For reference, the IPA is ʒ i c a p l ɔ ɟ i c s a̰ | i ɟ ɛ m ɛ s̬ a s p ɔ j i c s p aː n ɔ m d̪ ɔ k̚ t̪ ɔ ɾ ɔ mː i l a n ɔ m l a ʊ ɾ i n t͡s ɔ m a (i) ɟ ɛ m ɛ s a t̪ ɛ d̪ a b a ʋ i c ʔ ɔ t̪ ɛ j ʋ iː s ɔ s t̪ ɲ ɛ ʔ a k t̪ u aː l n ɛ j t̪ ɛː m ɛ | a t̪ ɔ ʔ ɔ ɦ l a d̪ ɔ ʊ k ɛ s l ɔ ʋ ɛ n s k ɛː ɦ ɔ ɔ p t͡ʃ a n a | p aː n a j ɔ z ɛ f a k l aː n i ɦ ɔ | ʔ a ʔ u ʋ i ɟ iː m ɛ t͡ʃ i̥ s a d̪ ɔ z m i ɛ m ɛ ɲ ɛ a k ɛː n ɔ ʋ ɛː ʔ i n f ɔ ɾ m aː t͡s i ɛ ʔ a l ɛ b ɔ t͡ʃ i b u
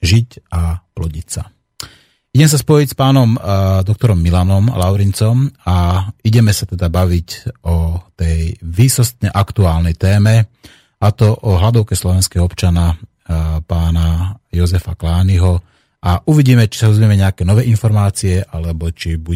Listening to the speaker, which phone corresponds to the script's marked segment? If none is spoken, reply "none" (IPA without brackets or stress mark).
i